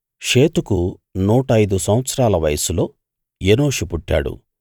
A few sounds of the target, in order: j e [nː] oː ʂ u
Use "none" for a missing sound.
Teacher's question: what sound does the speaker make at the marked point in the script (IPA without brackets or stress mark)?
n